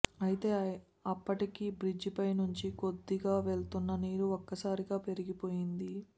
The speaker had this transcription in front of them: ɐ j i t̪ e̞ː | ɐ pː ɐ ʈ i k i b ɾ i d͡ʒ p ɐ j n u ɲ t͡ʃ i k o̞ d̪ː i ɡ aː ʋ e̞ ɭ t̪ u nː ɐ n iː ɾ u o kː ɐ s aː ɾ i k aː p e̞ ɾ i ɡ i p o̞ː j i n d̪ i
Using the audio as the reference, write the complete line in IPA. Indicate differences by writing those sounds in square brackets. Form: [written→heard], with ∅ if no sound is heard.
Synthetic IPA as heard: ɐ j i t̪ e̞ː | ɐ pː ɐ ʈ i k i b ɾ i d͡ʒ p ɐ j n u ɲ t͡ʃ i k o̞ d̪ː i ɡ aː ʋ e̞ ɭ t̪ u nː ɐ n iː ɾ u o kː ɐ s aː ɾ i [k→ɡ] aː p e̞ ɾ i ɡ i p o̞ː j i n d̪ i